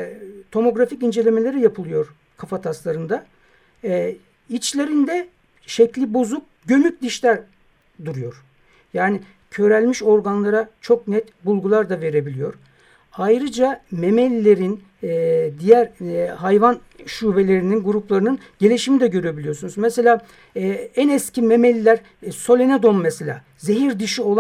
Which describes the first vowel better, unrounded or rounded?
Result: rounded